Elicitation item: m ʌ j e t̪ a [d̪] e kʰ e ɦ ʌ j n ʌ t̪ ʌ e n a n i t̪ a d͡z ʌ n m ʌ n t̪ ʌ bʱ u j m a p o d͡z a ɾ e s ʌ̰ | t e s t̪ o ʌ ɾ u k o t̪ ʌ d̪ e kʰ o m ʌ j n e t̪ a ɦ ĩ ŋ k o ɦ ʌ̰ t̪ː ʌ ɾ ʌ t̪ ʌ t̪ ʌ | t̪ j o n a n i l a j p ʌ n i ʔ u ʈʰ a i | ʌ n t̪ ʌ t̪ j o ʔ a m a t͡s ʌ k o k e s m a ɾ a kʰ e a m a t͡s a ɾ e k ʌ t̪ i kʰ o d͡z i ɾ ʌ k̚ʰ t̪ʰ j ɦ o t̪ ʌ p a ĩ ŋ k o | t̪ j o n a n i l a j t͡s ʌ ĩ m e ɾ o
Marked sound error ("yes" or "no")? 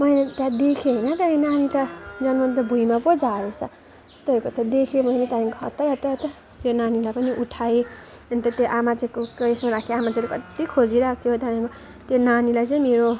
no